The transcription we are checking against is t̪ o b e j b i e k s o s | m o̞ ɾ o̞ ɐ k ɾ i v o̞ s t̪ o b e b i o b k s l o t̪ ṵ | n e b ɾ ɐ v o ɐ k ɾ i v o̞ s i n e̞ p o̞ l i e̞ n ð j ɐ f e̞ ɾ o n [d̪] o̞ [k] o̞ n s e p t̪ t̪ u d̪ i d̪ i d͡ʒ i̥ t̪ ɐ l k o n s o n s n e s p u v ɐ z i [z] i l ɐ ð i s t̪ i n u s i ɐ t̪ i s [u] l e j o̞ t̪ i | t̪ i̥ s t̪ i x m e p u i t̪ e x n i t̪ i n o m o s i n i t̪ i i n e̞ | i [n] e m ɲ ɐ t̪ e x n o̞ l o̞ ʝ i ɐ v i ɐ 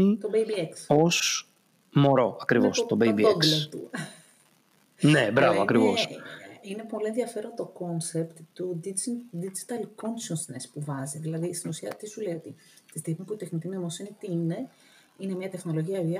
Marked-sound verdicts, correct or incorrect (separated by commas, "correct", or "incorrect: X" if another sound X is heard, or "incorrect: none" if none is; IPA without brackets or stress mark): incorrect: t̪, correct, incorrect: ð, correct, correct